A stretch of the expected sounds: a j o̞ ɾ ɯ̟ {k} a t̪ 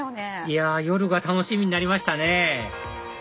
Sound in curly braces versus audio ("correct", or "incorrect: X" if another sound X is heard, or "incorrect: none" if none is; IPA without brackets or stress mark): incorrect: ɡ